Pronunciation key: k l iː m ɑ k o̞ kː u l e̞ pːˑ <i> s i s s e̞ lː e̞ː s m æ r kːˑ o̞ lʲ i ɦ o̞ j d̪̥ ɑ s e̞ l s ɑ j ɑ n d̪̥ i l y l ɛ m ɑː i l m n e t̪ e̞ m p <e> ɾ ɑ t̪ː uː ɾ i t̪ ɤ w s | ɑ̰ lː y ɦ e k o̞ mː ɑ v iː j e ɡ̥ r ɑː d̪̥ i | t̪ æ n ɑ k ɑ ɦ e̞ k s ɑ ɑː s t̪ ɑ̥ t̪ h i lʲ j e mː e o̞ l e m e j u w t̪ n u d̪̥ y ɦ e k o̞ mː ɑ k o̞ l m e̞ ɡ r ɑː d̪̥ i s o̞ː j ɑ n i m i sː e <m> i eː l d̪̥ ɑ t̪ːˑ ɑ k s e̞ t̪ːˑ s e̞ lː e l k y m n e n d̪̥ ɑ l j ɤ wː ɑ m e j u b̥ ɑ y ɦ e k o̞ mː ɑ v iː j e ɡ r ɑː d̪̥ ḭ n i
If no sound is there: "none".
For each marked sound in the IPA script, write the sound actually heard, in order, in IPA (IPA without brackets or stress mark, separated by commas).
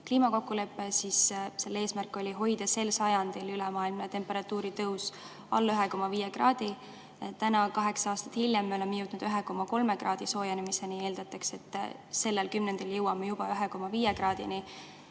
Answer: e, e, n